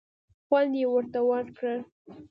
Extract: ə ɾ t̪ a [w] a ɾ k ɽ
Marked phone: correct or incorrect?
correct